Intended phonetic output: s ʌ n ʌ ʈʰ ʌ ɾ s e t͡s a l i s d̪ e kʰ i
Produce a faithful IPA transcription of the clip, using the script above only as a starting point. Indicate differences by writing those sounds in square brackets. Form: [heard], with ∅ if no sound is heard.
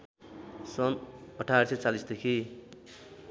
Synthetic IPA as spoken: s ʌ n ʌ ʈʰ [a] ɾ s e t͡s a l i s d̪ e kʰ i

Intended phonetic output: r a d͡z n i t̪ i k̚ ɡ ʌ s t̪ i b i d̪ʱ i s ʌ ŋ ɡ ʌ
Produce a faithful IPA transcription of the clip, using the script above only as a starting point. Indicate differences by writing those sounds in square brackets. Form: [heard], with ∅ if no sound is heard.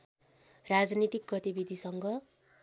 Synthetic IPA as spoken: r a d͡z n i t̪ i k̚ ɡ ʌ [∅] t̪ i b i d̪ʱ i s ʌ ŋ ɡ ʌ

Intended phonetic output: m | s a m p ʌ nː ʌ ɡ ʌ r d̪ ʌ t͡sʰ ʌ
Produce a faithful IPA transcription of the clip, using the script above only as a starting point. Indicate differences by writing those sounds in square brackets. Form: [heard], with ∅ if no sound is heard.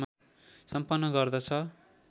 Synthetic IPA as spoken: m | s [ʌ] m p ʌ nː ʌ ɡ ʌ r d̪ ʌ t͡sʰ ʌ

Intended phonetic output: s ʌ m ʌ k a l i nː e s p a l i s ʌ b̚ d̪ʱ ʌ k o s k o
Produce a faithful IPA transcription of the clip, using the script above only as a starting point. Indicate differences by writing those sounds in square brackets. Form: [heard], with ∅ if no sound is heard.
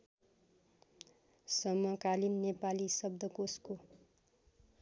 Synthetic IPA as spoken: s ʌ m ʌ k a l i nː e [∅] p a l i s ʌ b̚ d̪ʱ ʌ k o s k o

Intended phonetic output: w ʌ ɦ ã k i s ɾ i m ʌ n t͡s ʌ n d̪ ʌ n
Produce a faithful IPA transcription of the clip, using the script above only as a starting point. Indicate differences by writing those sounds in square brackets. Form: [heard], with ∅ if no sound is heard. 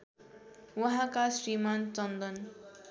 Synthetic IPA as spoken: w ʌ ɦ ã k [a] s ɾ i m [a] n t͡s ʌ n d̪ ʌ n

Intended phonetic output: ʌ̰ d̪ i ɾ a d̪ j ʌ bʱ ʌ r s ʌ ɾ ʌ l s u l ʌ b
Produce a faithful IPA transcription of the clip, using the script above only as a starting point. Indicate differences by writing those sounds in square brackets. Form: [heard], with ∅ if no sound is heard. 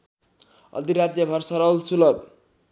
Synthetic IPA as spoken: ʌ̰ d̪ i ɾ a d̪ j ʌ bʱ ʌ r s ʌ ɾ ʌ l s u l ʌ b

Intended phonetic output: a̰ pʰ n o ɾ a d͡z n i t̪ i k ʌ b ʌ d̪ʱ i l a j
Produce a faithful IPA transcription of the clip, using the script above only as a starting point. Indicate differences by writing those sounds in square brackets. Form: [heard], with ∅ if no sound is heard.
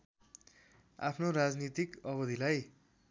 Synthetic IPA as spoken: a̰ pʰ n o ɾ a d͡z n i t̪ i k ʌ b ʌ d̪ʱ i l a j

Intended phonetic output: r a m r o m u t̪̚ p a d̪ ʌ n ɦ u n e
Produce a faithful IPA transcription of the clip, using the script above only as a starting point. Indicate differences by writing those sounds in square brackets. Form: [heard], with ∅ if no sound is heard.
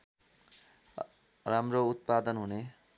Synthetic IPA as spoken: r a m r o [∅] u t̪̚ p a d̪ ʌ n ɦ u n e

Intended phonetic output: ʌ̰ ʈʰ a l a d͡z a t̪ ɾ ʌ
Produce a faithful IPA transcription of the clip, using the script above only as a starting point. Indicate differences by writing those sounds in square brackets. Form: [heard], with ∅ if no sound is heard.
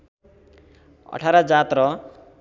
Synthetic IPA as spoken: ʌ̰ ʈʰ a [ɾ] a d͡z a t̪ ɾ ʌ

